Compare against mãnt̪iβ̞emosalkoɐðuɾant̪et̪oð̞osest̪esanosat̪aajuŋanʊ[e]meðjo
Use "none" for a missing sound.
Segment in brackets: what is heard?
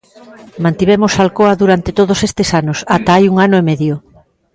e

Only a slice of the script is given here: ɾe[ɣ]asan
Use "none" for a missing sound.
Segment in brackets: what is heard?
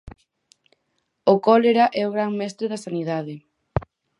ð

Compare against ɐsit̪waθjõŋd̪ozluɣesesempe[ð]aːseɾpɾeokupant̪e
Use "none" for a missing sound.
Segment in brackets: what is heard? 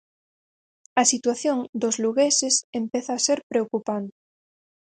θ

